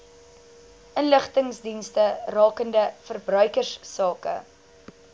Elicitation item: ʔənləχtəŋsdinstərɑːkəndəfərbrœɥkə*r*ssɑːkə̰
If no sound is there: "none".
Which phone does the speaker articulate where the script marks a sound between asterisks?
r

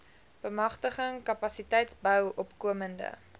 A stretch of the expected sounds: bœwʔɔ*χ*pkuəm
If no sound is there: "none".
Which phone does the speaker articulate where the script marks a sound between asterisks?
none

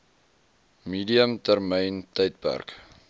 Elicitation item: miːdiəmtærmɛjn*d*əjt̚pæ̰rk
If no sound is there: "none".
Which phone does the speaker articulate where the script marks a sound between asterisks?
t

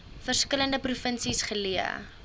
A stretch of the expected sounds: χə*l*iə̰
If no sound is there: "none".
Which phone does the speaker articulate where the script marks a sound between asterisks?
l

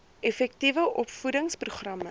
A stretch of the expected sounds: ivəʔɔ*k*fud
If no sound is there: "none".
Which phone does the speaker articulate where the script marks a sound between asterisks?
p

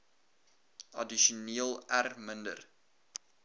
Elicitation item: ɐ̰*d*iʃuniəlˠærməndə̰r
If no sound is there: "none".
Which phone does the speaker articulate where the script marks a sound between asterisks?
d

